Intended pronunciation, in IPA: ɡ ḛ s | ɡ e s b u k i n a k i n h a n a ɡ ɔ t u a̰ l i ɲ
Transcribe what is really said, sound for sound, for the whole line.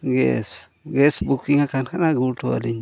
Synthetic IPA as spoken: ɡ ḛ s | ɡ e s b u k i ŋ a k a n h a n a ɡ u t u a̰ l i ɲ

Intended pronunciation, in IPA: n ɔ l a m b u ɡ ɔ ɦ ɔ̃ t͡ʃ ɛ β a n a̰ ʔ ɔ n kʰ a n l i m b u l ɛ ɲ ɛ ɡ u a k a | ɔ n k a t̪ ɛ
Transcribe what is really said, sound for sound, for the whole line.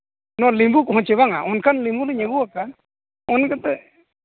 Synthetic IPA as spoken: n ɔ l i m b u k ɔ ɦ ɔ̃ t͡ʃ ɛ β a ŋ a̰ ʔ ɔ n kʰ a n l i m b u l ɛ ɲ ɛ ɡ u a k a | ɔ n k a t̪ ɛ

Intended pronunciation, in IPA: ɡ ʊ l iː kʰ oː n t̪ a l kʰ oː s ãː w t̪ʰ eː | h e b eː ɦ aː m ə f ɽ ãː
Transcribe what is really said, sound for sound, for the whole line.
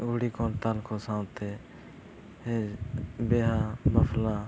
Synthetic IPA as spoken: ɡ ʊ ɽ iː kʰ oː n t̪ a l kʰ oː s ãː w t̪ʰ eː | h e b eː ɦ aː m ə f l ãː

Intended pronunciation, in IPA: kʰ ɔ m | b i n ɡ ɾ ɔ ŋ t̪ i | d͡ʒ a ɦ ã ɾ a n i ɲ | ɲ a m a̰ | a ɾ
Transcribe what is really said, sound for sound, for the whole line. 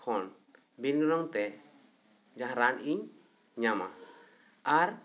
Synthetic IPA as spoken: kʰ ɔ n | b i n ɡ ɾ ɔ ŋ t̪ ɛ | d͡ʒ a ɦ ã ɾ a n i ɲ | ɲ a m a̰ | a ɾ

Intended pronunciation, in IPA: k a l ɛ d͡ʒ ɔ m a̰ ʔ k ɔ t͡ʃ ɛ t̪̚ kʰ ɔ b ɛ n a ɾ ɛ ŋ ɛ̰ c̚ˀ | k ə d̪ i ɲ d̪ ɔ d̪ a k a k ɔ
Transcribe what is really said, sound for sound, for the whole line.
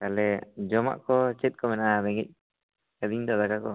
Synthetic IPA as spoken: k a l ɛ d͡ʒ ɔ m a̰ ʔ k ɔ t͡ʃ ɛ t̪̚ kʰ ɔ m ɛ n a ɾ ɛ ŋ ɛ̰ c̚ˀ | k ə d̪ i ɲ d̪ ɔ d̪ a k a k ɔ

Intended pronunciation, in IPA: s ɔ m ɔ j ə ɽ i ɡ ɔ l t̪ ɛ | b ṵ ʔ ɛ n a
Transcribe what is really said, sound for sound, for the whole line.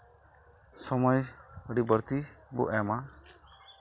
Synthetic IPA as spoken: s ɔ m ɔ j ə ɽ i b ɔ ɾ t̪ i | b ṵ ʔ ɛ m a

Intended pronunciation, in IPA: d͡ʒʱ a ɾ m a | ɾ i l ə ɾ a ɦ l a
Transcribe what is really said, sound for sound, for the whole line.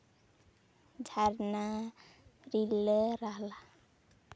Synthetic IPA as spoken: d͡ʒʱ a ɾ n a | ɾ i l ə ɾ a ɦ l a

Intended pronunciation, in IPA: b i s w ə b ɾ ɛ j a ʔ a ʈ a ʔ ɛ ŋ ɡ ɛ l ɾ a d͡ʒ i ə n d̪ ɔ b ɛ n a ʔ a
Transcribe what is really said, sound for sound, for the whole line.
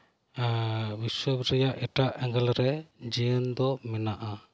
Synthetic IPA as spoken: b i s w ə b ɾ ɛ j a ʔ ɛ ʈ a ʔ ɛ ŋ ɡ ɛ l ɾ ɛ d͡ʒ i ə n d̪ ɔ m ɛ n a ʔ a

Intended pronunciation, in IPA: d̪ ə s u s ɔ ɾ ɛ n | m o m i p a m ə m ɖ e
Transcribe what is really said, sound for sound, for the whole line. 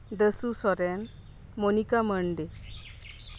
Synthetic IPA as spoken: d̪ ə s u s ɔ ɾ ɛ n | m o n i k a m ə ɳ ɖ e

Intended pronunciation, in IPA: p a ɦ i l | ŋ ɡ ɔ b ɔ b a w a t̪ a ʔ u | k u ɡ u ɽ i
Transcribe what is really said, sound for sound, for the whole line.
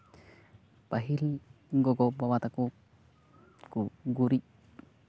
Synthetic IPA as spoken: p a ɦ i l | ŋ ɡ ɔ ɡ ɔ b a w a t̪ a k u | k u ɡ u ɾ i

